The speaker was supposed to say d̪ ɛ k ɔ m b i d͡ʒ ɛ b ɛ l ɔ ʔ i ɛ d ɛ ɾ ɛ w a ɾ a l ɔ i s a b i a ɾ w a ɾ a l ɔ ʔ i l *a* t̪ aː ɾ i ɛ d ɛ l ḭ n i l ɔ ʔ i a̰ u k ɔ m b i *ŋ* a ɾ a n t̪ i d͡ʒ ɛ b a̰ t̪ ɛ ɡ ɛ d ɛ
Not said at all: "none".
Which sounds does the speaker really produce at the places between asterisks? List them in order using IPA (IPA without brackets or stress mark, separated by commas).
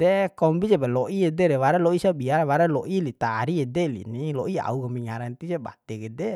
i, ŋ